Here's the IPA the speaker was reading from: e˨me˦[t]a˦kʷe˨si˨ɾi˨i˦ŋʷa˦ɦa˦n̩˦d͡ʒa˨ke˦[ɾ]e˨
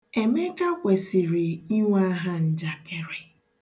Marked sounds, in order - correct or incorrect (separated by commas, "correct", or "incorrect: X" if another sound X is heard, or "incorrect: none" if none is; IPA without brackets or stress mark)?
incorrect: k, correct